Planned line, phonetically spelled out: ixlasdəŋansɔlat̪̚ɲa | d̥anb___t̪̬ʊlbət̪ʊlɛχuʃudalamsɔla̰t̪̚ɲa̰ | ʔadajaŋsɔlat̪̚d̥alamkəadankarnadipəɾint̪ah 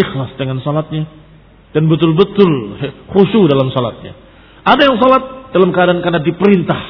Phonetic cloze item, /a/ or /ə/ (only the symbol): ə